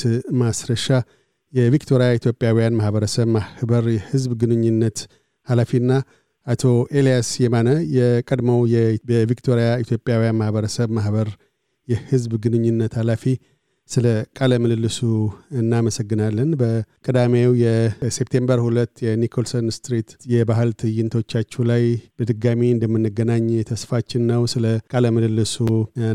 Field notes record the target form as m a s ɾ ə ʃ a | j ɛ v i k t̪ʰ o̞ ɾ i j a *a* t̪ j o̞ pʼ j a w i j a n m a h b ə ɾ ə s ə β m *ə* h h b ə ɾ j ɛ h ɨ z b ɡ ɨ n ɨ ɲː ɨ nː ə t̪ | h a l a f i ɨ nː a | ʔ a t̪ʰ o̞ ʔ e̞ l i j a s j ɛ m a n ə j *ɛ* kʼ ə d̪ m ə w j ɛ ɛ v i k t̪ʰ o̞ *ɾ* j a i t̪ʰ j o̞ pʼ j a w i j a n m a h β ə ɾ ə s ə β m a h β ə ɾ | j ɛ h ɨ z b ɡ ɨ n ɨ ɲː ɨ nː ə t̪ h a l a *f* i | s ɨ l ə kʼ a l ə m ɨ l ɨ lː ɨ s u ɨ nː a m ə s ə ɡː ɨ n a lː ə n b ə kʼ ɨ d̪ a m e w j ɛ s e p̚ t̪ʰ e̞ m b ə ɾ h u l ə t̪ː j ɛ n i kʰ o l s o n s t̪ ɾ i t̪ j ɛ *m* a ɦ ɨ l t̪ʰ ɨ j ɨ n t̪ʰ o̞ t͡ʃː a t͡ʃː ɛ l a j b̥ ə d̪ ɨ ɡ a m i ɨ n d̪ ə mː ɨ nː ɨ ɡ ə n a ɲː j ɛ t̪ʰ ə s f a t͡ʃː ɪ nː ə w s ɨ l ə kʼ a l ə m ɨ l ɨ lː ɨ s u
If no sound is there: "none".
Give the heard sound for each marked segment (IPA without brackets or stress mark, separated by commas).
i, a, ɛ, ɾ, f, b